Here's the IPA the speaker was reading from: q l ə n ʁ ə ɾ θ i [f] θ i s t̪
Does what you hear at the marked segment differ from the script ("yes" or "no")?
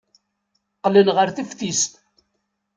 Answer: no